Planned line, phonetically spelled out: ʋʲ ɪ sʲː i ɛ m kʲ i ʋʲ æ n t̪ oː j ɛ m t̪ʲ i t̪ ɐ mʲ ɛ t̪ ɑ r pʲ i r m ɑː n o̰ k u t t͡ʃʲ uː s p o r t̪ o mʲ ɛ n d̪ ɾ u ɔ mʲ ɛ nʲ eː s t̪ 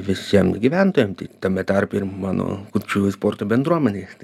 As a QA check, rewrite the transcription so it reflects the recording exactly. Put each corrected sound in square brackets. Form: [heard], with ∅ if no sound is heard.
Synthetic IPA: ʋʲ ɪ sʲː i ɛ m [ɡʲ] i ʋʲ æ n t̪ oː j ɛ m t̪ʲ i t̪ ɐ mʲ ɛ t̪ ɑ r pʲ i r m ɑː n o̰ k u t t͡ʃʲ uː s p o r t̪ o [bʲ] ɛ n d̪ ɾ u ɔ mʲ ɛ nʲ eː s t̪